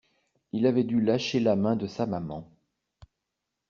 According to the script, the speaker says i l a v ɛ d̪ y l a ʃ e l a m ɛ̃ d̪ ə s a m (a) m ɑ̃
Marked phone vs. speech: correct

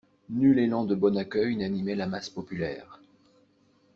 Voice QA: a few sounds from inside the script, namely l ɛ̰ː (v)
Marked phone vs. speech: incorrect: ʁ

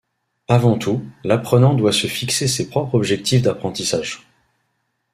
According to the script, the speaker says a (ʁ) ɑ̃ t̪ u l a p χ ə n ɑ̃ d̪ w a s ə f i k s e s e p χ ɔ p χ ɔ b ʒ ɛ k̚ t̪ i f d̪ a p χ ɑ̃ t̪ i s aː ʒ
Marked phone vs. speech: incorrect: v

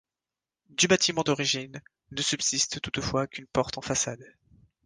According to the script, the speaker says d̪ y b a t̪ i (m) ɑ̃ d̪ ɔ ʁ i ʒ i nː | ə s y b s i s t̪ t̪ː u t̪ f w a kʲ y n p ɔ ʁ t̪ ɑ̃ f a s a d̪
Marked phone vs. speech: correct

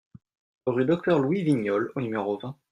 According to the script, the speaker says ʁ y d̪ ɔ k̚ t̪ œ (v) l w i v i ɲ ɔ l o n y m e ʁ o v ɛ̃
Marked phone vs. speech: incorrect: ʁ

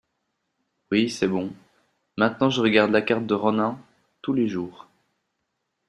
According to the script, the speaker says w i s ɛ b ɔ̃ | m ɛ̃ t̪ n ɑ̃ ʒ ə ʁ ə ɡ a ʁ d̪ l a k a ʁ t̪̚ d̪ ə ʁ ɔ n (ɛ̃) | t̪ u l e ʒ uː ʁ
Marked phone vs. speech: correct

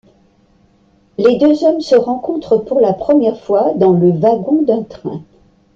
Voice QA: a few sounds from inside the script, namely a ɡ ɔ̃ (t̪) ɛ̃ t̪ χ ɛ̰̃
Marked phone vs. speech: incorrect: d̪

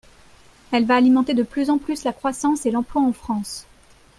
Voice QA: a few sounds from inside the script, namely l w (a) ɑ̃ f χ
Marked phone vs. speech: correct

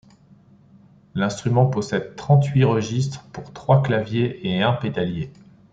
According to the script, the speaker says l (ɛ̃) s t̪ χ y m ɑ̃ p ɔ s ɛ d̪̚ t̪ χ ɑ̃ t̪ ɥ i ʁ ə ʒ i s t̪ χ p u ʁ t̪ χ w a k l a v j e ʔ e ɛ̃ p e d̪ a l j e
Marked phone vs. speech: correct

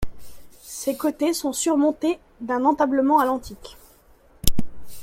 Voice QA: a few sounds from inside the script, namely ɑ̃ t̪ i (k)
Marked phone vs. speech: correct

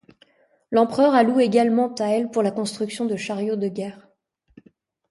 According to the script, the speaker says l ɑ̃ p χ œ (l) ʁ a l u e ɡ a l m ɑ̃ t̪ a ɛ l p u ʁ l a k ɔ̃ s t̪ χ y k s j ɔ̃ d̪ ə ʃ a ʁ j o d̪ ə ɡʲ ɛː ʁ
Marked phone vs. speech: incorrect: none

